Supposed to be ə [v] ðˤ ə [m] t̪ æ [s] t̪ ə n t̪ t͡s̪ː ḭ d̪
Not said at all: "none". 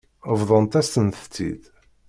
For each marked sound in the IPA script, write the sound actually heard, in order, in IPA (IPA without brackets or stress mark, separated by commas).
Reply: v, n, s